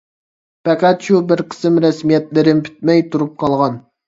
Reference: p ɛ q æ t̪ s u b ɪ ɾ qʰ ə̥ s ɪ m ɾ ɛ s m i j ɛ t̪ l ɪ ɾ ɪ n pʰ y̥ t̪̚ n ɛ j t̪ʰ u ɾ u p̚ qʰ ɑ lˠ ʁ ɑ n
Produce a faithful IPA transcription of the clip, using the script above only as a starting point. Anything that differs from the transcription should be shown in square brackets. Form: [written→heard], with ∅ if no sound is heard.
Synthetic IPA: p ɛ q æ t̪ [s→ʃ] u b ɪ ɾ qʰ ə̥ s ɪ m ɾ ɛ s m i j ɛ t̪ l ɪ ɾ ɪ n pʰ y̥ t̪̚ [n→m] ɛ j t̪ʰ u ɾ u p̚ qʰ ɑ lˠ ʁ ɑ n